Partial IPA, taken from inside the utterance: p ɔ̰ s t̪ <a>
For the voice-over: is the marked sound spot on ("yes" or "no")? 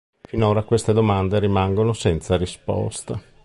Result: yes